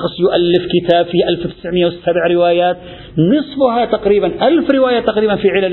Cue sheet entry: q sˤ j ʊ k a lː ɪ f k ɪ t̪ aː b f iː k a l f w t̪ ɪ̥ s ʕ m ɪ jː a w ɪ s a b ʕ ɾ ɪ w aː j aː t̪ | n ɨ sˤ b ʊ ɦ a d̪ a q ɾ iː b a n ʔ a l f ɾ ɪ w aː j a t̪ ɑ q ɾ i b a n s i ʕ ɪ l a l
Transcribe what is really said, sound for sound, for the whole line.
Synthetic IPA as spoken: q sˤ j ʊ ʔ a lː ɪ f k ɪ t̪ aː b f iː ʔ a l f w t̪ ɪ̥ s ʕ m ɪ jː a w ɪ s a b ʕ ɾ ɪ w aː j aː t̪ | n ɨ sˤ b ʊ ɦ a t̪ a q ɾ iː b a n ʔ a l f ɾ ɪ w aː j a t̪ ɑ q ɾ iː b a n f i ʕ ɪ l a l